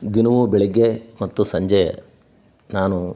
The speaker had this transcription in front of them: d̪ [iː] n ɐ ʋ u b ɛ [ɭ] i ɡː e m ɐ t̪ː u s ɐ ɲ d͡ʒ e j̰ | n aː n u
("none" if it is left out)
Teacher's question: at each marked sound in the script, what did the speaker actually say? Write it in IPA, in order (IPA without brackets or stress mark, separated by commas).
i, ɭ